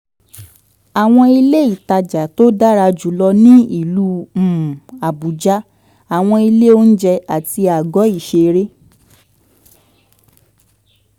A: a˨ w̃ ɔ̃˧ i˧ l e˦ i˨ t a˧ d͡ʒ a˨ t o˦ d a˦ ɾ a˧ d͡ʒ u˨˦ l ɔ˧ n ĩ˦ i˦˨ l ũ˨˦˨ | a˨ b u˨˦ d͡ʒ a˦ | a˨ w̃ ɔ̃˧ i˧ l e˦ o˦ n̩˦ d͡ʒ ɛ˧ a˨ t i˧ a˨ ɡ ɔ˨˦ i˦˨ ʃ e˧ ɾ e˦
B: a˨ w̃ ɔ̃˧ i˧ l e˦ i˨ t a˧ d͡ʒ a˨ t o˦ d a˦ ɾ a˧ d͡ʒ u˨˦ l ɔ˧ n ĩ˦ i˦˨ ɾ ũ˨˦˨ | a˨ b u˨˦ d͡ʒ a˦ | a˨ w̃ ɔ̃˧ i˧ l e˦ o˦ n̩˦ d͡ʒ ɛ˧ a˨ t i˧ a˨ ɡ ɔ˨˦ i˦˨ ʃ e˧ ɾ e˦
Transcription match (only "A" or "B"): A